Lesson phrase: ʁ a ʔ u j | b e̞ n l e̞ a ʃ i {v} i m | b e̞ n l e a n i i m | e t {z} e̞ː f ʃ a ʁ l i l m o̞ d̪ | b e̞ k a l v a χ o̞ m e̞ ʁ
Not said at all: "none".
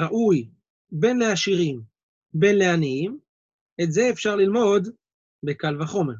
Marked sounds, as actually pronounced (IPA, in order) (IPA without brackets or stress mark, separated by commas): ʁ, z